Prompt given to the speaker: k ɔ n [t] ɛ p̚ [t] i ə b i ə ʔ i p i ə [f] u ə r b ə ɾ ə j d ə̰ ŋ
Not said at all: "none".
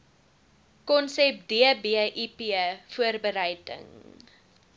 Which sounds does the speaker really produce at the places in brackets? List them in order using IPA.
s, d, f

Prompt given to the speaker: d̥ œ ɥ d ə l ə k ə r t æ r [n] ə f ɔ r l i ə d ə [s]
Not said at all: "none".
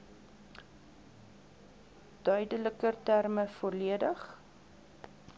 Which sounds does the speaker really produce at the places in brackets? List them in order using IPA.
m, χ

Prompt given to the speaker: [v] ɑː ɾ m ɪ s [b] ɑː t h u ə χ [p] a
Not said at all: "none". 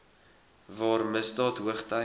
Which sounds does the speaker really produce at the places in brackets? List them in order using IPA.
v, d, t

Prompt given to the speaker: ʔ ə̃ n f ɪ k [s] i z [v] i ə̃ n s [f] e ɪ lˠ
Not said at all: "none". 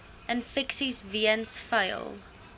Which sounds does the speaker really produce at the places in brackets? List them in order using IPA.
s, v, f

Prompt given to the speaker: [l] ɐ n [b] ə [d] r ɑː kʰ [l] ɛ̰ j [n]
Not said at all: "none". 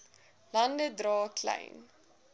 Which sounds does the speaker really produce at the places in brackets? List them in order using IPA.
l, d, d, l, n

